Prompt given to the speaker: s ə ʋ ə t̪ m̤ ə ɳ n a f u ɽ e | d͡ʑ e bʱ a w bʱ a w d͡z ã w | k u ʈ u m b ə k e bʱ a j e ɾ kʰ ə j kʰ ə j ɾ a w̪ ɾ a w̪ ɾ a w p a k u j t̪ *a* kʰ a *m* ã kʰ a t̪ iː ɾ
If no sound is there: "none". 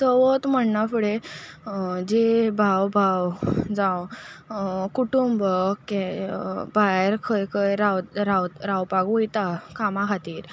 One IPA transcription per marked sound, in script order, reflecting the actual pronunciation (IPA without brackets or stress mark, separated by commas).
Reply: a, m